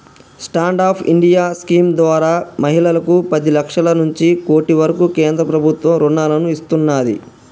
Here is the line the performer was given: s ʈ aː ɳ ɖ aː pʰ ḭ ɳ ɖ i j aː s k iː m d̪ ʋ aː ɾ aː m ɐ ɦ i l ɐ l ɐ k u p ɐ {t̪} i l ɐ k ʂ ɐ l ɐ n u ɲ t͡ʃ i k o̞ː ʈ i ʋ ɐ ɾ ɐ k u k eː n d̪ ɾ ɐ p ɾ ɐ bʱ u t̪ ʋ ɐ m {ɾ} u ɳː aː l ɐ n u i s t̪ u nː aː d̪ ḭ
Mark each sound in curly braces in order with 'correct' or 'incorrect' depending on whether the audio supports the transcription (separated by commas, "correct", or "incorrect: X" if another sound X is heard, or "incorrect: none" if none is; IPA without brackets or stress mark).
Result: incorrect: d̪, correct